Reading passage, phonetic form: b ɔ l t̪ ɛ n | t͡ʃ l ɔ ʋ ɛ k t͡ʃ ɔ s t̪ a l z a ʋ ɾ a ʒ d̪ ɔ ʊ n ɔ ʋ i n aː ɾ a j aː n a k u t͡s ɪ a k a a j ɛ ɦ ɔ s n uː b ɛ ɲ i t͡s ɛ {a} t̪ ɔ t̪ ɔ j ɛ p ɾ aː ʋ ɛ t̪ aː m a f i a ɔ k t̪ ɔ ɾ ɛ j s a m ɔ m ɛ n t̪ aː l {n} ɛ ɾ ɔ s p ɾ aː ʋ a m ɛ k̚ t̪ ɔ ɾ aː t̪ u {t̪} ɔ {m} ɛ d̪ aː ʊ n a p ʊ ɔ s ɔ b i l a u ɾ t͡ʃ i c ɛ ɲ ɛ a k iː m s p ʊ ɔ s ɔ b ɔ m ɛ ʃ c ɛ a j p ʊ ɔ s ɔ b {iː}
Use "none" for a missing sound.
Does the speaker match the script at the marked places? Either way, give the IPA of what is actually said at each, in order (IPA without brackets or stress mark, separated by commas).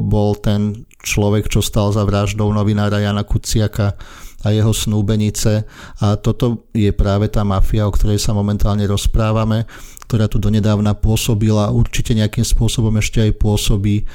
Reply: a, ɲ, d̪, ɲ, iː